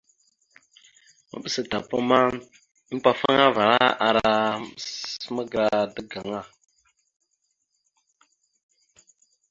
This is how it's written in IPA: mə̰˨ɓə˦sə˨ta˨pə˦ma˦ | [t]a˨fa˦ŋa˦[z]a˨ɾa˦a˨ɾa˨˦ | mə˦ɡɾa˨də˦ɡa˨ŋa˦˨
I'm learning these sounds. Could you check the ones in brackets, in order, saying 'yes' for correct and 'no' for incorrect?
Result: no, no

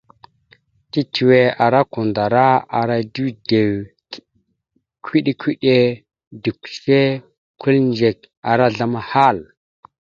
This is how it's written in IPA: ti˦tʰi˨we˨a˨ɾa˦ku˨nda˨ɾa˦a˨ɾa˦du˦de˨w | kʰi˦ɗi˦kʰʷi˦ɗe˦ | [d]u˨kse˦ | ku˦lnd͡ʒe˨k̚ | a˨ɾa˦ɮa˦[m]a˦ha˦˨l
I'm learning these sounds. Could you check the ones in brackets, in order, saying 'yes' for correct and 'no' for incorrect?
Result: yes, yes

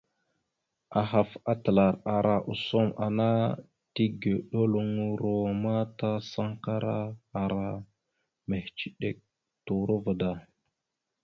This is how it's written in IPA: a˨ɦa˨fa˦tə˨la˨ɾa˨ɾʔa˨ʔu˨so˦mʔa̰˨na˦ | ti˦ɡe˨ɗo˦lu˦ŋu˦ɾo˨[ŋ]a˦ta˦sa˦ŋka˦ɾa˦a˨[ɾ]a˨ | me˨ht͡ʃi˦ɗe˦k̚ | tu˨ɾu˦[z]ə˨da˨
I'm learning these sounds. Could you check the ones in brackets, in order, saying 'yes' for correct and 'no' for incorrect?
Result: no, yes, no

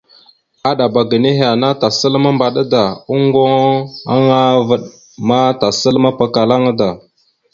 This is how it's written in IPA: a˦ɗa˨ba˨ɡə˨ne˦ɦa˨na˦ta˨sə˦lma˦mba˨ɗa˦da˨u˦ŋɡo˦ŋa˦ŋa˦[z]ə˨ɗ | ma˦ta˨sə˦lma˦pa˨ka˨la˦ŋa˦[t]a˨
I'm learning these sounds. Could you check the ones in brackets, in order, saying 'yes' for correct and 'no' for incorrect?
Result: no, no

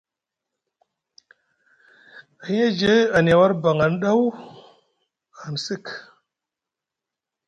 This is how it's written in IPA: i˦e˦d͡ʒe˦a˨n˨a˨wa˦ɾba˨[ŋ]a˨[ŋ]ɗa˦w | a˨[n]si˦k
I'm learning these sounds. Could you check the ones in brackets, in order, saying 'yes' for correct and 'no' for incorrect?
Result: yes, no, yes

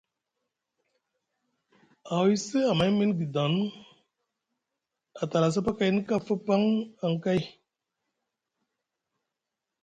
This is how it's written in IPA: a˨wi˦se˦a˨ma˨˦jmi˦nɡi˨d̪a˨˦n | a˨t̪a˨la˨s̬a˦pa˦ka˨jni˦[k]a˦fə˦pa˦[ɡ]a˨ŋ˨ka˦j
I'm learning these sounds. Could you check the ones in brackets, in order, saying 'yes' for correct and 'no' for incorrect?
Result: yes, no

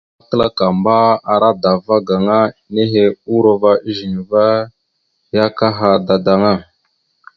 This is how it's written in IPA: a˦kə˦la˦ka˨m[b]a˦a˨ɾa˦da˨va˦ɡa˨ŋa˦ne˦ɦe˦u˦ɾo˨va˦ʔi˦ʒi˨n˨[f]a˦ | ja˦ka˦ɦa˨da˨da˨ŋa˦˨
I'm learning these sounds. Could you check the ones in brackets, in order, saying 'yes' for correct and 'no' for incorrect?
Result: yes, no

